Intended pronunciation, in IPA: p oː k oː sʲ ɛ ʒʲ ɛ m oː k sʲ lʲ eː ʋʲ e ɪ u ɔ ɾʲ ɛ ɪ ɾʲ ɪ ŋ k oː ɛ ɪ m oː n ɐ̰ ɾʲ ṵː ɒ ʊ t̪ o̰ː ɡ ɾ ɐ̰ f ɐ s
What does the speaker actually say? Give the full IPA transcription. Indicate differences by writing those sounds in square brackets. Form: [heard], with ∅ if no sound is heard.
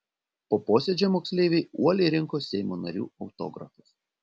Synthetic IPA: p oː [p] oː sʲ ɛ [d͡ʒʲ] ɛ m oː k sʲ lʲ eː ʋʲ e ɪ u ɔ [lʲ] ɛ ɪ ɾʲ ɪ ŋ k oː ɛ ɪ m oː n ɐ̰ ɾʲ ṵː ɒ ʊ t̪ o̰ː ɡ ɾ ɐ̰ f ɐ s